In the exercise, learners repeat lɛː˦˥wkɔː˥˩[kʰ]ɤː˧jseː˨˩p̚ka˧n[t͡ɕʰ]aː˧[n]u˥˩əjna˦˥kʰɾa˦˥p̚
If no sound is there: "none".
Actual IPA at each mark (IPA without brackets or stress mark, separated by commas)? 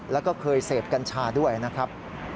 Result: kʰ, t͡ɕʰ, d